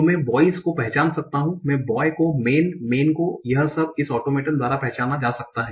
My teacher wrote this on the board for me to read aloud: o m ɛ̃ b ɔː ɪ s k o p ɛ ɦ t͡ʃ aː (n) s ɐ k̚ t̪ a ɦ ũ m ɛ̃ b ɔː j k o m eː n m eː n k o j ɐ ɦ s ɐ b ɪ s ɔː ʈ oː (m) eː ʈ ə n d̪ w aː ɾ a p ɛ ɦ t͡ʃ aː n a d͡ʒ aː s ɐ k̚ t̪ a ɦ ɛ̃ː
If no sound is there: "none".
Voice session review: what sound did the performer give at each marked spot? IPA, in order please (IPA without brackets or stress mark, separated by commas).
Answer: n, m